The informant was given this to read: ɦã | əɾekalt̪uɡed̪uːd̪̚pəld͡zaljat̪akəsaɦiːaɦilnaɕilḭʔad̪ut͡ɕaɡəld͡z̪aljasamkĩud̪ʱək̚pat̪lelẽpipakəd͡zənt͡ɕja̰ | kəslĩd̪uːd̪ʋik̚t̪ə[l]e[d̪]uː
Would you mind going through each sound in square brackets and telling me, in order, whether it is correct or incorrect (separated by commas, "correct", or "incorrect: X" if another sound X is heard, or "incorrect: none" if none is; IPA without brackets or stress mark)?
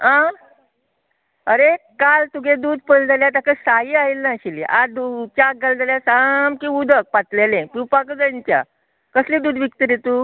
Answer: incorrect: ɾ, incorrect: t̪